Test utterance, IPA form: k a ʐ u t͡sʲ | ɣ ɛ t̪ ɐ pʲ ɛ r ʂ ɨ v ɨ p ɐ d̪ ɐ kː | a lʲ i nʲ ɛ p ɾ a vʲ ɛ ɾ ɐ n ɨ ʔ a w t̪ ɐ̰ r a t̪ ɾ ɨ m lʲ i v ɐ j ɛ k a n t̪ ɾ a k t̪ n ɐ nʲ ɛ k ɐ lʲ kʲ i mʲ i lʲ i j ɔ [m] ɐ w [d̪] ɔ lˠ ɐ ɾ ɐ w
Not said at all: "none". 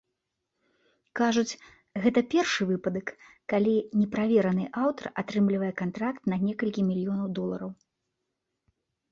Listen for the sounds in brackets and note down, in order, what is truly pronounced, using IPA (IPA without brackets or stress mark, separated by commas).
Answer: n, d̪